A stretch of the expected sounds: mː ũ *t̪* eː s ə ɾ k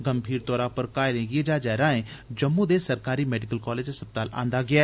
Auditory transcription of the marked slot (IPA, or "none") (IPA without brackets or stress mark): d̪